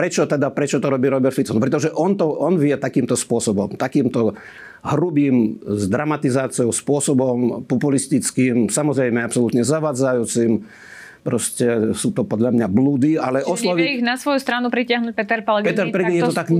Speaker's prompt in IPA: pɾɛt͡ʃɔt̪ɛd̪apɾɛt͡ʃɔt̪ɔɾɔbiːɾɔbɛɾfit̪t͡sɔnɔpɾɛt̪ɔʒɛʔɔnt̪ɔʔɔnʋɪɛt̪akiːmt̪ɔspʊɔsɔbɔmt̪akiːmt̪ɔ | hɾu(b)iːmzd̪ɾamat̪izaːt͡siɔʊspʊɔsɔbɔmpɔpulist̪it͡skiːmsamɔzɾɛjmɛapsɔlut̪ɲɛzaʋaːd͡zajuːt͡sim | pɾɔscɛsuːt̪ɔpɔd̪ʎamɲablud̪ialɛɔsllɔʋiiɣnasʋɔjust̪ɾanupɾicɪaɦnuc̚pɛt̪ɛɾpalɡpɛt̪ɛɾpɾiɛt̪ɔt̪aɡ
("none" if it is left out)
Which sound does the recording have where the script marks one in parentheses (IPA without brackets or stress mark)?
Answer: b